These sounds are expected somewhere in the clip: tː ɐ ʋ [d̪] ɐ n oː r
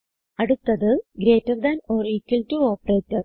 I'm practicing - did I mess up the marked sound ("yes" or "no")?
no